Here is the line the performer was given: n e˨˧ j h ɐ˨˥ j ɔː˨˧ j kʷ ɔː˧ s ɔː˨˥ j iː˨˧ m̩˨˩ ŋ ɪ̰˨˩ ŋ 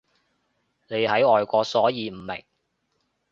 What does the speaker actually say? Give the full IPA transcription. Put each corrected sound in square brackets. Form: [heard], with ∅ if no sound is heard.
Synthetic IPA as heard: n e˨˧ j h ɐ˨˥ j ɔː˨˧ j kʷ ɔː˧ s ɔː˨˥ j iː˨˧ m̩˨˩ [m] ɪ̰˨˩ ŋ